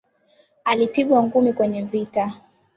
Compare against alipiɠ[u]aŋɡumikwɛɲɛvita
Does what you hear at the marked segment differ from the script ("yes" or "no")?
yes